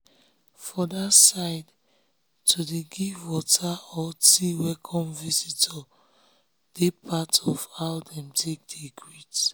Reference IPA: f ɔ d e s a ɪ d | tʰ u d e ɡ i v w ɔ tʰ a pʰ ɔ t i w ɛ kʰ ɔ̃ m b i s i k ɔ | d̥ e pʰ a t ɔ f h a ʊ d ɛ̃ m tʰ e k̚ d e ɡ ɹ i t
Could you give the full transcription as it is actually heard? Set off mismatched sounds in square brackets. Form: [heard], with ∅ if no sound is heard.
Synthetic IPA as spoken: f ɔ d [a] s a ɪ d | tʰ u d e ɡ i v w ɔ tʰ a [∅] ɔ t i w ɛ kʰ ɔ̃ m [v] i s i [t] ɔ | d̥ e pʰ a t ɔ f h a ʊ d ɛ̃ m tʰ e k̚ d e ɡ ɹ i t